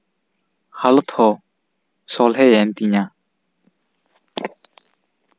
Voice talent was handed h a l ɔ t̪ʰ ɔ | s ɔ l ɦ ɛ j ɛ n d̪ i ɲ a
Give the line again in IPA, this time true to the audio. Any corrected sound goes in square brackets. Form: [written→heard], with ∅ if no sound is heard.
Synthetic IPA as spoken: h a l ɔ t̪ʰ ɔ | s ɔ l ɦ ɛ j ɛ n [d̪→t̪] i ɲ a